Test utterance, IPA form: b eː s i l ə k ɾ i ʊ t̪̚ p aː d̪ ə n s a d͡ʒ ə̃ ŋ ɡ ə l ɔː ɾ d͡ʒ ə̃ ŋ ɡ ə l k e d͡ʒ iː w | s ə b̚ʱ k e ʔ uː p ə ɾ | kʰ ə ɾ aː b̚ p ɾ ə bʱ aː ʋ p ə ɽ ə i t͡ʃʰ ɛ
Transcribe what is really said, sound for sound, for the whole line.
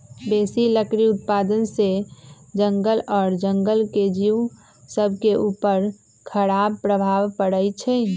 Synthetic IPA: b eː s i l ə k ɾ i ʊ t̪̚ p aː d̪ ə n s e d͡ʒ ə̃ ŋ ɡ ə l ɔː ɾ d͡ʒ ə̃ ŋ ɡ ə l k e d͡ʒ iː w | s ə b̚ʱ k e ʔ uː p ə ɾ | kʰ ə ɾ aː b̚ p ɾ ə bʱ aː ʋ p ə ɽ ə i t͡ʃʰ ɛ

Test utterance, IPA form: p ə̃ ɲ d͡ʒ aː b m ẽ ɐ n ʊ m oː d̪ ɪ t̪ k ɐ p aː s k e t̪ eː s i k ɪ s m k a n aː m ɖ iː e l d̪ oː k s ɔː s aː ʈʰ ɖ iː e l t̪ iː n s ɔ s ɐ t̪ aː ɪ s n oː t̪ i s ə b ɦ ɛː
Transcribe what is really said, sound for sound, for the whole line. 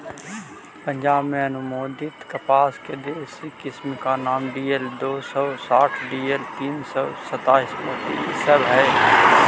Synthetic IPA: p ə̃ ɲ d͡ʒ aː b m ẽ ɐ n ʊ m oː d̪ ɪ t̪ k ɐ p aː s k e d̪ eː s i k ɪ s m k a n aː m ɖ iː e l d̪ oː s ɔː s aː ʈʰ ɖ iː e l t̪ iː n s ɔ s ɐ t̪ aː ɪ s m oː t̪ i s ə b ɦ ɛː

